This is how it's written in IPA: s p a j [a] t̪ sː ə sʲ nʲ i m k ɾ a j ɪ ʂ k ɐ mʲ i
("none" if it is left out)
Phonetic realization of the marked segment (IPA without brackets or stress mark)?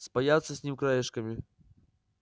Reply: a